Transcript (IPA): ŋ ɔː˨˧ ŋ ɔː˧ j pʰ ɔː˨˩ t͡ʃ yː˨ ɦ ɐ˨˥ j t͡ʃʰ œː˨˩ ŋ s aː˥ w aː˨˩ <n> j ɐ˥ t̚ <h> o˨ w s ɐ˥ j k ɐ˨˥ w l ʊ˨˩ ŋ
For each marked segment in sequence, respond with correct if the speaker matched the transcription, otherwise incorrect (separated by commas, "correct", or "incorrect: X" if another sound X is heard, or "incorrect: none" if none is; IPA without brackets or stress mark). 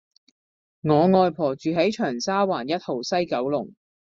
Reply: correct, correct